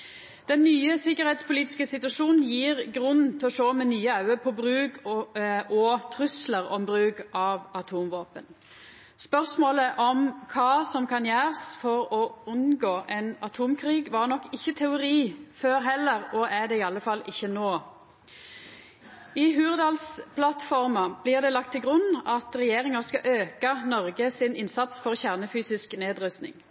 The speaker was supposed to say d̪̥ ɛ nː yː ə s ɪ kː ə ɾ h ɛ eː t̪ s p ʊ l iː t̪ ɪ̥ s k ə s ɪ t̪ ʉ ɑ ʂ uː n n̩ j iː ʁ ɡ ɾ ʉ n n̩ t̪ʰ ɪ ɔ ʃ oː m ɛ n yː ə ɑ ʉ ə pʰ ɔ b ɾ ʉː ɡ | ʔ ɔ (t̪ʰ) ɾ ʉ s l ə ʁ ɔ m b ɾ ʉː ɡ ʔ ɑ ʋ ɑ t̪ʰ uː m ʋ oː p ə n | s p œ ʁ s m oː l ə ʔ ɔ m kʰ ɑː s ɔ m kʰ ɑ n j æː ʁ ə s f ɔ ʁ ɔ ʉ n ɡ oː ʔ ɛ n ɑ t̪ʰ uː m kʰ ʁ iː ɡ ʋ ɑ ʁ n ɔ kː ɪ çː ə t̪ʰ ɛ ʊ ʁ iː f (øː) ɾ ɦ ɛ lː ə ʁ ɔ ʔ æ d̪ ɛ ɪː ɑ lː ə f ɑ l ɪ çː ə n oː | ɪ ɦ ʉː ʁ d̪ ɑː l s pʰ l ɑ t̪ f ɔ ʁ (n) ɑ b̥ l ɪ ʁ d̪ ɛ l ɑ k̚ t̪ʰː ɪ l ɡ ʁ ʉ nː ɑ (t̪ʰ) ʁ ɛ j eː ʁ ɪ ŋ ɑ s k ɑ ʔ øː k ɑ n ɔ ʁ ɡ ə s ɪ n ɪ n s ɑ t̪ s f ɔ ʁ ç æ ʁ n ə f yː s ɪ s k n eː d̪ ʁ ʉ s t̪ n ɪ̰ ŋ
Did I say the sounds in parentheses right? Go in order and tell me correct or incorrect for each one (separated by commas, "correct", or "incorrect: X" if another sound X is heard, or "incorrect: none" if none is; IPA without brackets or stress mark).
correct, correct, incorrect: m, incorrect: t̪